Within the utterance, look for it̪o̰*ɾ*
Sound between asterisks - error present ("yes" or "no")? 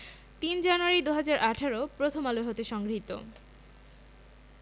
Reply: yes